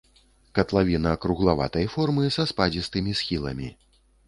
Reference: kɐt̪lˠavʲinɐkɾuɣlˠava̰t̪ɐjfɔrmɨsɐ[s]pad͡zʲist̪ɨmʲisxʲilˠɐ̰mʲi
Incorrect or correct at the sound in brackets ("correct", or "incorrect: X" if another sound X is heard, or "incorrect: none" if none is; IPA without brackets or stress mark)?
correct